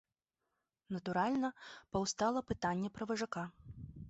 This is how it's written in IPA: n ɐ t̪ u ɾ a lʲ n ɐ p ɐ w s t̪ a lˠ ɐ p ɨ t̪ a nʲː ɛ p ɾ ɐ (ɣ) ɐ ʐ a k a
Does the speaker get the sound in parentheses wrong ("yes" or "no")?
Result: yes